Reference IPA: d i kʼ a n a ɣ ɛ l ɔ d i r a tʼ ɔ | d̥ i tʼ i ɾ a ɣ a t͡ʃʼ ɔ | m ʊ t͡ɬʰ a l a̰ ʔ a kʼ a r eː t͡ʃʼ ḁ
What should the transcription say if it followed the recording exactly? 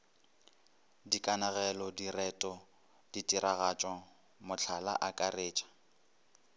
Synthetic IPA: d i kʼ a n a ɣ ɛ l ɔ d i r ɛ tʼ ɔ | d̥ i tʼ i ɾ a ɣ a t͡ʃʼ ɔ | m ʊ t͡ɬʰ a l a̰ ʔ a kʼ a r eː t͡ʃʼ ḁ